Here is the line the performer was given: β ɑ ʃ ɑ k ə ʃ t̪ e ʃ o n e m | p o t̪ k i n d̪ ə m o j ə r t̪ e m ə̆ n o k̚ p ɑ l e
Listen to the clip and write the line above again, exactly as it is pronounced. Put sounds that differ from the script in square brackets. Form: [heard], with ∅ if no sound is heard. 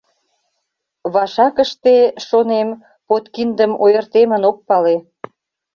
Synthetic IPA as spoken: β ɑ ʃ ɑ k ə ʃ t̪ e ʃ o n e m | p o t̪ k i n d̪ ə m o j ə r t̪ e m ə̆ n o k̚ p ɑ l e